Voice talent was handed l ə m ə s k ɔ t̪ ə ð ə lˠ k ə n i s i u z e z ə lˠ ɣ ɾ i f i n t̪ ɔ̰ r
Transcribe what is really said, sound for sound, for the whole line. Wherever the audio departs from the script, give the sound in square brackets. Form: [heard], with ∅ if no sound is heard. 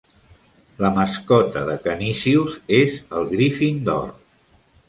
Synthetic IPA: l ə m ə s k ɔ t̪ ə ð ə [∅] k ə n i s i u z e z ə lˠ ɣ ɾ i f i n [d̪] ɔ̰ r